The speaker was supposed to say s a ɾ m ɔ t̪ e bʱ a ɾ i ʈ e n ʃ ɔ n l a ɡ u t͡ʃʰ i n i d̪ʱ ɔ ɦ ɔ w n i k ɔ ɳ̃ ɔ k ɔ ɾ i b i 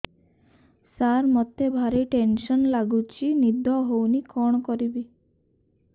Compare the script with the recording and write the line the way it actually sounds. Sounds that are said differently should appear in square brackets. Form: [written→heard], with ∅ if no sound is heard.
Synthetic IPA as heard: s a ɾ m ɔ t̪ e bʱ a ɾ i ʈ e n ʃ ɔ n l a ɡ u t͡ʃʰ i n i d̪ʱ ɔ ɦ [ɔ→o] w n i k ɔ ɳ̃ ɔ k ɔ ɾ i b i